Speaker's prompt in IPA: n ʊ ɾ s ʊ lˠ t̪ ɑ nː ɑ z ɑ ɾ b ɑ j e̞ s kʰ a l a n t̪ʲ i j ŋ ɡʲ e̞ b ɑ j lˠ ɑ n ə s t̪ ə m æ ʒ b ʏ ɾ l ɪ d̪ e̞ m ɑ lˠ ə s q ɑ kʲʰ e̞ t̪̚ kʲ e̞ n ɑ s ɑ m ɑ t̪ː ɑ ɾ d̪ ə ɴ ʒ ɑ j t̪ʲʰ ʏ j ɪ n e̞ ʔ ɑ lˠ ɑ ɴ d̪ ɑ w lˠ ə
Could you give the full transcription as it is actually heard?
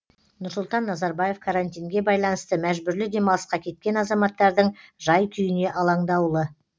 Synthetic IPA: n ʊ ɾ s ʊ lˠ t̪ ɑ nː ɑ z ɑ ɾ b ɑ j e̞ f kʰ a ɾ a n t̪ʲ i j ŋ ɡʲ e̞ b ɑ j lˠ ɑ n ə s t̪ ə m æ ʒ b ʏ ɾ l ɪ d̪ e̞ m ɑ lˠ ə s q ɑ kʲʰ e̞ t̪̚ kʲ e̞ n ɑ z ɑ m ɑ t̪ː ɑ ɾ d̪ ə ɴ ʒ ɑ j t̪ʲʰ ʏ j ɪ n e̞ ʔ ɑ lˠ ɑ ɴ d̪ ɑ w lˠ ə